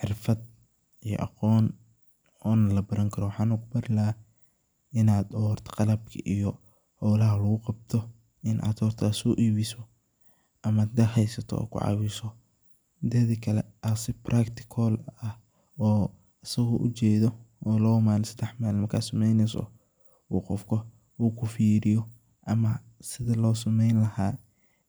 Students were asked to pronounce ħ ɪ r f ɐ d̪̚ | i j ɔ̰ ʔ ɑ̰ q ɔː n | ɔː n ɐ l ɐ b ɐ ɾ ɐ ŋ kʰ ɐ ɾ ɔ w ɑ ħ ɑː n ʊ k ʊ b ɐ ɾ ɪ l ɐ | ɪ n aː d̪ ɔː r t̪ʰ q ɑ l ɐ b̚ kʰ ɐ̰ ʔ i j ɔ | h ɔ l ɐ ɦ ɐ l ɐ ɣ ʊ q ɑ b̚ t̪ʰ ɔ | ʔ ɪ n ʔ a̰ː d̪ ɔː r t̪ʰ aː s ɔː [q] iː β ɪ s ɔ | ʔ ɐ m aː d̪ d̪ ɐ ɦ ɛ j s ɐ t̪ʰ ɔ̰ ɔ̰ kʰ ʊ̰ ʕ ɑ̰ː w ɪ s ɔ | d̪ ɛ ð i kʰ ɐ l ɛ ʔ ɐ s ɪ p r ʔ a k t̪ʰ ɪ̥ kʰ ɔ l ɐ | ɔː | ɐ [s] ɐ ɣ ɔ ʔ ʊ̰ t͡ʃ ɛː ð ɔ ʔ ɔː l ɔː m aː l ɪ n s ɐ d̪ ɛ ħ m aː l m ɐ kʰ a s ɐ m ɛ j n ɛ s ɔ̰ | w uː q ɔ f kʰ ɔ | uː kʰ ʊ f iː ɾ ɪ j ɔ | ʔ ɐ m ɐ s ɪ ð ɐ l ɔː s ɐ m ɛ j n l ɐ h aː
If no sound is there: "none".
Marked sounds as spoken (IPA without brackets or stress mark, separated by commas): ʔ, s